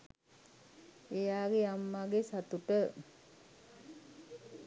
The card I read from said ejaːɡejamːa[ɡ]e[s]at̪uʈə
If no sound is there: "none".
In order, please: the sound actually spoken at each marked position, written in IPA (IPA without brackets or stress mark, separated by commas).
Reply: ɡ, s